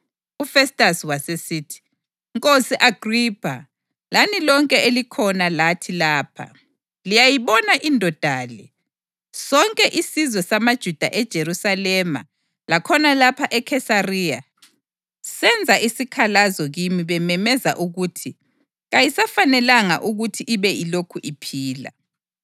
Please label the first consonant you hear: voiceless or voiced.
voiceless